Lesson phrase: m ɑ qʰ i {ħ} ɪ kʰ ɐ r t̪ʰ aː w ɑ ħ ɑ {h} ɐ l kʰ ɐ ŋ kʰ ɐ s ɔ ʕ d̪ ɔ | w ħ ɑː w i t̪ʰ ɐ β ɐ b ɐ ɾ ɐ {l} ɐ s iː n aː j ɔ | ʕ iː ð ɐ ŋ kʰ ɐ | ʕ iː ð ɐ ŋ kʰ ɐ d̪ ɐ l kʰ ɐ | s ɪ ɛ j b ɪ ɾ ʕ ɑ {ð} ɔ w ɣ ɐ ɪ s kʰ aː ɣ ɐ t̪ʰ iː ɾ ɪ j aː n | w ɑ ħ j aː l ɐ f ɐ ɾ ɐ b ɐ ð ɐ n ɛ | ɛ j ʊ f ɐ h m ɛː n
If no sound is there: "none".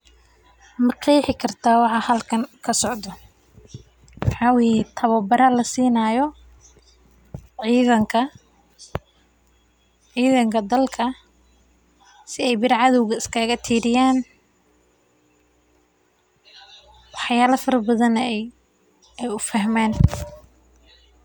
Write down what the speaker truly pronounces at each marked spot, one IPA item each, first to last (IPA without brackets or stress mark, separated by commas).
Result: ħ, h, l, ð